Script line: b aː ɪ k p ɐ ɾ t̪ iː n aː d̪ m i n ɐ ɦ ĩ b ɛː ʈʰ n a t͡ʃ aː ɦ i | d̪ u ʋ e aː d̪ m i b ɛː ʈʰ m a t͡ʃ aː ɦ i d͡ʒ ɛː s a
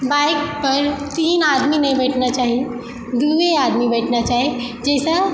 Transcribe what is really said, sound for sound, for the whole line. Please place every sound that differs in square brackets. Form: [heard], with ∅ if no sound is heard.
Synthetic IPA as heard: b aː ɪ k p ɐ ɾ t̪ iː n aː d̪ m i n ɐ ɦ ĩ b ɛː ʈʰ n a t͡ʃ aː ɦ i | d̪ u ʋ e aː d̪ m i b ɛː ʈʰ [n] a t͡ʃ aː ɦ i d͡ʒ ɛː s a